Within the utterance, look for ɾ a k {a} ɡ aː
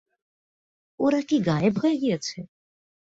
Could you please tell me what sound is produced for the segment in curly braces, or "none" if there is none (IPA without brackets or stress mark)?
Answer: i